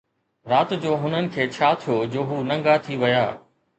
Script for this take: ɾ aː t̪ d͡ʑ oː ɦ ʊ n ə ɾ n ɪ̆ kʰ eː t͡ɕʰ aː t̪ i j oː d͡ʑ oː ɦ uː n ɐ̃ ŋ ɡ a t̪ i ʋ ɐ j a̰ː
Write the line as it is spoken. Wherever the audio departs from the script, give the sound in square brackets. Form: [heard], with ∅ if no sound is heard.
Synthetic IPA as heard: ɾ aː t̪ d͡ʑ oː ɦ ʊ n ə [∅] n ɪ̆ kʰ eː t͡ɕʰ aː [t̪ʰ] i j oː d͡ʑ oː ɦ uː n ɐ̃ ŋ ɡ a [t̪ʰ] i ʋ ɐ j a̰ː